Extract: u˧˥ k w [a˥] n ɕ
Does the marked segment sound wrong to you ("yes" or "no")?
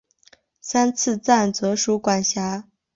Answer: yes